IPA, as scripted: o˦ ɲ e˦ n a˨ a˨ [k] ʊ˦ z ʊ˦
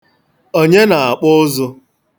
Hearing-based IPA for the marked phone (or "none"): k͡p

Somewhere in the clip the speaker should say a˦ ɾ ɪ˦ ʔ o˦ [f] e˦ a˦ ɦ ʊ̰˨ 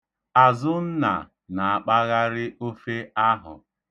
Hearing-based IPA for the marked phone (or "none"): f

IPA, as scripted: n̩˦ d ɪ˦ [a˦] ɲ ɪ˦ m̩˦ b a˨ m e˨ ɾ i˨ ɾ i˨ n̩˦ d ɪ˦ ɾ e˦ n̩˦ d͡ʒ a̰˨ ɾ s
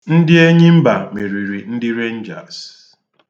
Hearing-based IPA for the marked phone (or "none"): e˦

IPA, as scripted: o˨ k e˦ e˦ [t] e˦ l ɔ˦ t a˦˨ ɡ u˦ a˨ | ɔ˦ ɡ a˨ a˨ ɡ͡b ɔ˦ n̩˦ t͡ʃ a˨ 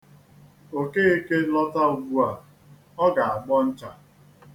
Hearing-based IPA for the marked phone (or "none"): k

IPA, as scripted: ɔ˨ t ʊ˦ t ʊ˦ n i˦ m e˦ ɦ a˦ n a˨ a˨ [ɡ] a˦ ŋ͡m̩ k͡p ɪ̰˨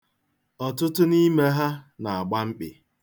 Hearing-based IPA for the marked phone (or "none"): ɡ͡b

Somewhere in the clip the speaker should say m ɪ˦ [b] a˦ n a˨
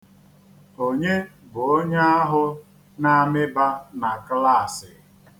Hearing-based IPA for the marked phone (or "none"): b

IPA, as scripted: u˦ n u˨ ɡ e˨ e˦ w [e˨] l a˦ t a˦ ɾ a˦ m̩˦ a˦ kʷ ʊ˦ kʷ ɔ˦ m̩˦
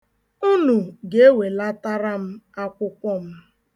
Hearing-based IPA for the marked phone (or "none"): e˨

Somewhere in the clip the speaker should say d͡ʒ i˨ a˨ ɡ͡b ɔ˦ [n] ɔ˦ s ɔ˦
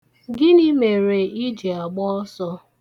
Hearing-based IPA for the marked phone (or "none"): none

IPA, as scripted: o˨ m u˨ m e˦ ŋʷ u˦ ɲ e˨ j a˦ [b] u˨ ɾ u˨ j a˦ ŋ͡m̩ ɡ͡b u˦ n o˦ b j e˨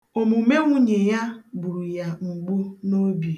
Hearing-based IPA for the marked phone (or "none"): b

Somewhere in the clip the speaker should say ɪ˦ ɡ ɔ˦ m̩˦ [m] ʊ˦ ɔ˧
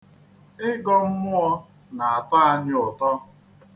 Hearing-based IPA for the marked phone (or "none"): m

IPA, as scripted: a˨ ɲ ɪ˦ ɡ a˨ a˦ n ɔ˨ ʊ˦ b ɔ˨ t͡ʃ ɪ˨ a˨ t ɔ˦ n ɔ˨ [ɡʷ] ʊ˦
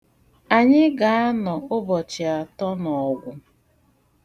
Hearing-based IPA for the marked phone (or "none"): ɡʷ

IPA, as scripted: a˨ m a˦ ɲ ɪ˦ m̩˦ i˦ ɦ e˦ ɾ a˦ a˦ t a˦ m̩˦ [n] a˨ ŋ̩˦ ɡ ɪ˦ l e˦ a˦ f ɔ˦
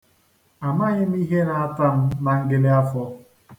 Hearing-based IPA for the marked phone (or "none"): n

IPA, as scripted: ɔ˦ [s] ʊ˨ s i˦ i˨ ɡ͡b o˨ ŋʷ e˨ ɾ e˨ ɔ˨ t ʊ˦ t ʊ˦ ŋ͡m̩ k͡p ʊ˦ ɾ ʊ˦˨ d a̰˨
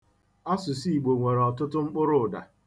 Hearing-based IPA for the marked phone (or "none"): s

